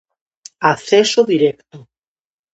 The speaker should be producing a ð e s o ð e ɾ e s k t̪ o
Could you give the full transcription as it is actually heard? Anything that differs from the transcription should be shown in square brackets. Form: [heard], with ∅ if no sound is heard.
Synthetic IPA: a [θ] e s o ð [i] ɾ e [∅] k t̪ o